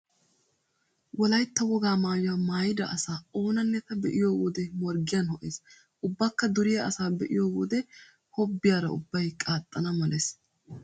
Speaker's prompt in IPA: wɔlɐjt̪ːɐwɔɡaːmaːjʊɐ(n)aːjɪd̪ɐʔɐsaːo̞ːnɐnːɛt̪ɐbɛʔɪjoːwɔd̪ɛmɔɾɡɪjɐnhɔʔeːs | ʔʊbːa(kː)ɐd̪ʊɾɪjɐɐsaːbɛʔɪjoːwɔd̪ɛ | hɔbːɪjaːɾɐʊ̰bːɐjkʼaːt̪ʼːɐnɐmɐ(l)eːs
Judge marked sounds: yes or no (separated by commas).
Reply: no, yes, yes